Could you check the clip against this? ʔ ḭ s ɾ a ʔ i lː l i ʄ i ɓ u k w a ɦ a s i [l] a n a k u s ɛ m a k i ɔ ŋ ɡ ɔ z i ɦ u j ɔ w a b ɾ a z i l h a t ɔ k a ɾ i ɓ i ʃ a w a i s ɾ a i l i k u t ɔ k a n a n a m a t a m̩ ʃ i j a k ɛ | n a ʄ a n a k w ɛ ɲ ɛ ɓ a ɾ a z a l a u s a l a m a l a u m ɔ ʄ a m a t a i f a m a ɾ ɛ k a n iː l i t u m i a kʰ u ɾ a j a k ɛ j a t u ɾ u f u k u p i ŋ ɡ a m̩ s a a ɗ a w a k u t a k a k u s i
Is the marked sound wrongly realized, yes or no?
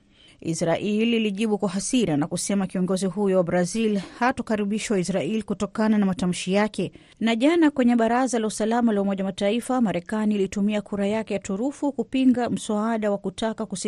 yes